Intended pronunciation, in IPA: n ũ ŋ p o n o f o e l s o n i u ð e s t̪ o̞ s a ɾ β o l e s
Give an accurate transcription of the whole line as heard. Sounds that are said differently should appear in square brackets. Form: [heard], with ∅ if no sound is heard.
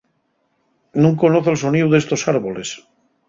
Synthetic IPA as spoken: n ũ ŋ [k] o n o [θ] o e l s o n i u ð e s t̪ o̞ s a ɾ β o l e s